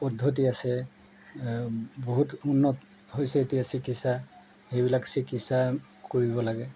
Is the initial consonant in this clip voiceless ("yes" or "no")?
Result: yes